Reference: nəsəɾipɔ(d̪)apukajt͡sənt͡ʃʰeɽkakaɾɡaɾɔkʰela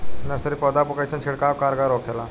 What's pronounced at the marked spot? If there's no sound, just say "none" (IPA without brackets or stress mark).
d̪